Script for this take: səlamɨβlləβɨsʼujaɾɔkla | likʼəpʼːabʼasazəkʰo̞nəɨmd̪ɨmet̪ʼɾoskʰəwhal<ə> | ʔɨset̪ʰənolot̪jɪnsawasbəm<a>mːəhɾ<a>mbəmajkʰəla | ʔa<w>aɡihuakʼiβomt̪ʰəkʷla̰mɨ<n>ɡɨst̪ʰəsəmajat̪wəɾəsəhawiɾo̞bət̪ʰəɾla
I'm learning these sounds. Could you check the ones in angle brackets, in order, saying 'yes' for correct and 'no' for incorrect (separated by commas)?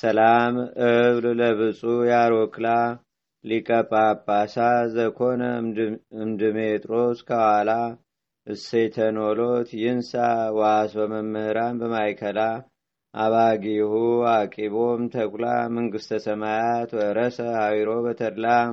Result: no, no, yes, no, no